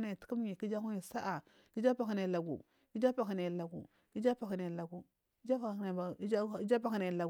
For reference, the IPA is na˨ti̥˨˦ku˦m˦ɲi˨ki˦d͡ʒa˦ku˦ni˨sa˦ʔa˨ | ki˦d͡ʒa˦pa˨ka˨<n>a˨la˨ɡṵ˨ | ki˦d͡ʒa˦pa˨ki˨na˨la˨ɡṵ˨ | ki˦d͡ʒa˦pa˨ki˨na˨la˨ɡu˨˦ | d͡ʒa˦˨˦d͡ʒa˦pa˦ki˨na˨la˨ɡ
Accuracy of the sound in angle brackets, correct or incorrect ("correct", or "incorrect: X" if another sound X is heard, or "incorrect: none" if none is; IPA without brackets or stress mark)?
correct